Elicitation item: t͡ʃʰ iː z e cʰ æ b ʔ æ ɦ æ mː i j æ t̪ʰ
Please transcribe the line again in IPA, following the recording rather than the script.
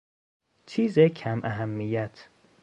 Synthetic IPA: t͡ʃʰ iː z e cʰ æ m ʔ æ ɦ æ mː i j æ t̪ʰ